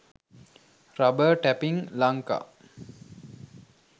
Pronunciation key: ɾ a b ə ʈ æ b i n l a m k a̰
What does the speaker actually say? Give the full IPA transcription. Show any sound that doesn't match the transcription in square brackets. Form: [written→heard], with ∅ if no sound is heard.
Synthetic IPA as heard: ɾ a b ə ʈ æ [b→p] i [n→ŋ] l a [m→ŋ] k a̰